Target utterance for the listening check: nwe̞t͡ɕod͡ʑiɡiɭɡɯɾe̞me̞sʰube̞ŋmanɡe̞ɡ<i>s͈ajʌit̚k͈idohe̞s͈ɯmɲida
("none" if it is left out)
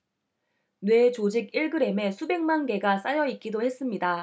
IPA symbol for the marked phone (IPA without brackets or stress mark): a